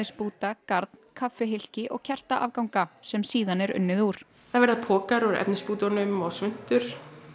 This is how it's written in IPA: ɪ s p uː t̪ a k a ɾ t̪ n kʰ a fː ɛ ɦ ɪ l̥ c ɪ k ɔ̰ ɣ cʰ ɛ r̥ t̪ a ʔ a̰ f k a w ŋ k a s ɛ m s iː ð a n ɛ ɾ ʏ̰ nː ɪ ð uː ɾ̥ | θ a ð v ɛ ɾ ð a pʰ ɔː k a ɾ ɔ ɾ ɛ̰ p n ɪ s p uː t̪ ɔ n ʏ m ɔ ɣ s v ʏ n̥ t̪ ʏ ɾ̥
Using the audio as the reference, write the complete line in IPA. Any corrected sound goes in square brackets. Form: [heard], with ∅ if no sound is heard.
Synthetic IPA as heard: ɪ s p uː t̪ a k a ɾ t̪ n kʰ a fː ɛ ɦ ɪ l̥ c ɪ [ʔ] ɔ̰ ɣ cʰ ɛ r̥ t̪ a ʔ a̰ [v] k a w ŋ k a s ɛ m s iː ð a n ɛ ɾ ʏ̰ nː ɪ ð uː ɾ̥ | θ a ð v ɛ ɾ ð a pʰ ɔː k a ɾ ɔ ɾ ɛ̰ p n ɪ s p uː t̪ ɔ n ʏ m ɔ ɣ s v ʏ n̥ t̪ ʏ ɾ̥